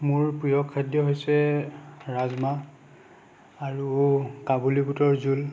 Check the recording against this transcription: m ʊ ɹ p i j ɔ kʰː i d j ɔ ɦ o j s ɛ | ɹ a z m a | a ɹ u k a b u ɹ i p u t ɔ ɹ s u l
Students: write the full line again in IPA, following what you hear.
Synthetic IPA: m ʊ ɹ p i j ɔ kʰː a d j ɔ ɦ o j s ɛ | ɹ a z m a | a ɹ u k a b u l i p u t ɔ ɹ z u l